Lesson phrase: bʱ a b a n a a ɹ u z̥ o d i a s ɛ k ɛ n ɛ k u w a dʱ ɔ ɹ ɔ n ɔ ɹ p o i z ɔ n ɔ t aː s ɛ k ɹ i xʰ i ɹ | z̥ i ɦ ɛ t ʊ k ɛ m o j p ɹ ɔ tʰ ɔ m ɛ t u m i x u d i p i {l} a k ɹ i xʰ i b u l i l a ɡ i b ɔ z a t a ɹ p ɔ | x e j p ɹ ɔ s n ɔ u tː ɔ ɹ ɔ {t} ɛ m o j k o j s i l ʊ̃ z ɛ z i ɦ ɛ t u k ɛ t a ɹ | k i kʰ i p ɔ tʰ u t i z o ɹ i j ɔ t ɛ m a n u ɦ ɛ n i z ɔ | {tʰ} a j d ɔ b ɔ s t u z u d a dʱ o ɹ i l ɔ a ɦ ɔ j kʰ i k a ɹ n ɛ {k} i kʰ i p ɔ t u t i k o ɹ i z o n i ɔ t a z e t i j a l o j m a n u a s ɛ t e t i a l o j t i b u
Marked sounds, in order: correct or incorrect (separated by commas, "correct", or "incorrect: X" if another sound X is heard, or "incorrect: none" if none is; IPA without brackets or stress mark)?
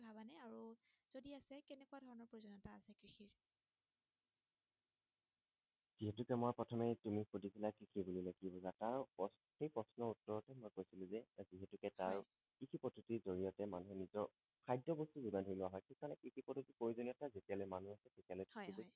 correct, correct, incorrect: kʰ, correct